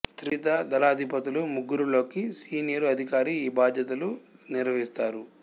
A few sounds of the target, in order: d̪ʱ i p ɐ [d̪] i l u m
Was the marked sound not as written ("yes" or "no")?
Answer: yes